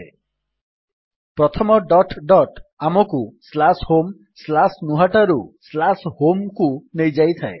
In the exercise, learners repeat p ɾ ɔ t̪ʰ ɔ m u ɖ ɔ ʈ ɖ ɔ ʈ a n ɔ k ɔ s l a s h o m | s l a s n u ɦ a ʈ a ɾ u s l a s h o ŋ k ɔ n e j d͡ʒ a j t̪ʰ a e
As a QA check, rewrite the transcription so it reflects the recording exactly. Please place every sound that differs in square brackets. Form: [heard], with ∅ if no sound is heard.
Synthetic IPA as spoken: p ɾ ɔ t̪ʰ ɔ m [ɔ] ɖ ɔ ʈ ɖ ɔ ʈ a [m] ɔ k [u] s l a s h o m | s l a s n u ɦ a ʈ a ɾ u s l a s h o [m] k [u] n e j d͡ʒ a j t̪ʰ a e